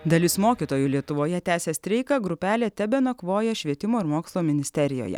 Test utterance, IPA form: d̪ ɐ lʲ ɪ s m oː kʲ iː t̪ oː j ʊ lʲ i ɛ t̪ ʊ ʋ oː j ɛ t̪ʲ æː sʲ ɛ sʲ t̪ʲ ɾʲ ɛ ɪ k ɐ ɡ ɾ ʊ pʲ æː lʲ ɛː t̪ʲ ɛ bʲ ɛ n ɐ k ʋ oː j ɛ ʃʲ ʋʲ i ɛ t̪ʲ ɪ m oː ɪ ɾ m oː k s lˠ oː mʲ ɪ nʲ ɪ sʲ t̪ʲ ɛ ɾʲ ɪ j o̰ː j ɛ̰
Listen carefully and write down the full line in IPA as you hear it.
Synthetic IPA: d̪ ɐ lʲ ɪ s m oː kʲ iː t̪ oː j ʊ lʲ i ɛ t̪ ʊ ʋ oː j ɛ t̪ʲ æː sʲ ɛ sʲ t̪ʲ ɾʲ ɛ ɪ k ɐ ɡ ɾ ʊ pʲ æː lʲ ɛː t̪ʲ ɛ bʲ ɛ n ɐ k ʋ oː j ɛ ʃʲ ʋʲ i ɛ t̪ʲ ɪ m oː ɪ ɾ m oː k s lˠ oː mʲ ɪ nʲ ɪ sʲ t̪ʲ ɛ ɾʲ ɪ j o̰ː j ɛ̰